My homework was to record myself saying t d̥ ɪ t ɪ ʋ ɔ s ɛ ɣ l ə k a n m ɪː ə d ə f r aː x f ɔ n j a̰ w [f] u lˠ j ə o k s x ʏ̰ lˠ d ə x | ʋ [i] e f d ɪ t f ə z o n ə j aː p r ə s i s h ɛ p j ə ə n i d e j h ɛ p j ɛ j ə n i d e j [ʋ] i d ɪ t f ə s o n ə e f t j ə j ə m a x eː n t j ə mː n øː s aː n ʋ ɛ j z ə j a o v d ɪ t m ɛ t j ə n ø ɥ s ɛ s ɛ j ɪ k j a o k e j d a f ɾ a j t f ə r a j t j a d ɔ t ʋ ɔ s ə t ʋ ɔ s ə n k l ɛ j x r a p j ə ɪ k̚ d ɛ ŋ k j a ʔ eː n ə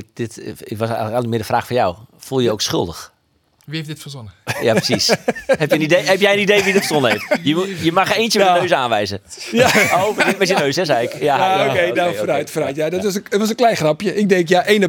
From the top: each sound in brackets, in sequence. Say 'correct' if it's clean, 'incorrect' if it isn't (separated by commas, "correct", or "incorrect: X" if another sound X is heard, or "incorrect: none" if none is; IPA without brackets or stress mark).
correct, correct, correct